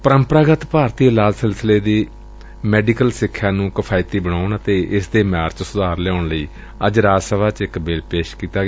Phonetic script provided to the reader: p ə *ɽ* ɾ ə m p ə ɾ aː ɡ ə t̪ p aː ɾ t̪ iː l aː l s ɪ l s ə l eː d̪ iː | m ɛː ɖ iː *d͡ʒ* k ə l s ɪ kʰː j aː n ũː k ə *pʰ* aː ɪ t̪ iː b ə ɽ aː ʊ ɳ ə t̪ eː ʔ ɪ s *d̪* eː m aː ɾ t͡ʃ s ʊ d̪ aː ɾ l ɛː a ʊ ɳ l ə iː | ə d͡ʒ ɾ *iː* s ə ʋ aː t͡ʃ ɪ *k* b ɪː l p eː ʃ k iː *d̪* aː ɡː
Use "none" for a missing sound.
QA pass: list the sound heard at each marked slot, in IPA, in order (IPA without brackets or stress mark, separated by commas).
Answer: none, none, pʰ, d̪, aː, k, t̪